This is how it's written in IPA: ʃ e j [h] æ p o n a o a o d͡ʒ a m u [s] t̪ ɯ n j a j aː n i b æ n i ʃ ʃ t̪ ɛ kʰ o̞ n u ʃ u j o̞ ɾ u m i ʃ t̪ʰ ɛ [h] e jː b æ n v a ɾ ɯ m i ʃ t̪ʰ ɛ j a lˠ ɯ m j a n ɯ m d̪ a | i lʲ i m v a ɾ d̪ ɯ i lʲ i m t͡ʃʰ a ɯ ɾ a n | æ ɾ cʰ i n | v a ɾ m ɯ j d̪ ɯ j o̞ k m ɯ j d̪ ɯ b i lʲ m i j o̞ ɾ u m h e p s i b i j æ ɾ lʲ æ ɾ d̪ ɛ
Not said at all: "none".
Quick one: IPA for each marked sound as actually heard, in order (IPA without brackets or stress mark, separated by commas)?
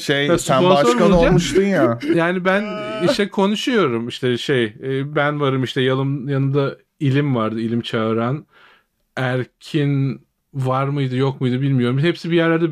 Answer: s, ʃ, ʃ